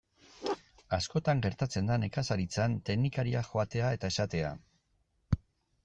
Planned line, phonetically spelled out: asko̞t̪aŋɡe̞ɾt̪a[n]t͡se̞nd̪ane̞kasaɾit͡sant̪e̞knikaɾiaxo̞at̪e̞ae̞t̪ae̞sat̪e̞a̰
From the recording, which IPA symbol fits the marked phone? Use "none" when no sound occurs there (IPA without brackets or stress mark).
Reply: none